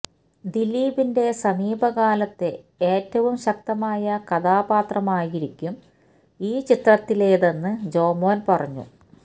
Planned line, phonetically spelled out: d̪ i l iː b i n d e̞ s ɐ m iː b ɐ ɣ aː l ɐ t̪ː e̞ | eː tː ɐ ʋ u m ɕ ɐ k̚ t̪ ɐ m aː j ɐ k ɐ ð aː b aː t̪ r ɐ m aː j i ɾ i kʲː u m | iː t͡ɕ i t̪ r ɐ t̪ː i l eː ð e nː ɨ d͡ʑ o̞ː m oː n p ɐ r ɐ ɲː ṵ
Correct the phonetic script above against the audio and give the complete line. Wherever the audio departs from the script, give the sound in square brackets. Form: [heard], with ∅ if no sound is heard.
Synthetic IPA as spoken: d̪ i l iː b i n d e̞ s ɐ m iː b ɐ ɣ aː l ɐ t̪ː e̞ | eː tː ɐ ʋ u m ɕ ɐ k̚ t̪ ɐ m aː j ɐ k ɐ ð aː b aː t̪ r ɐ m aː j i ɾ i kʲː u m | iː t͡ɕ i t̪ r ɐ t̪ː i l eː ð e nː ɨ d͡ʑ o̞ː m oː n p ɐ r ɐ ɲː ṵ